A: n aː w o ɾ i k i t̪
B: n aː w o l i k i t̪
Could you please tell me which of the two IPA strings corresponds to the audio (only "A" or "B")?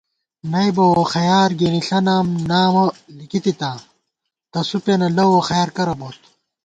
B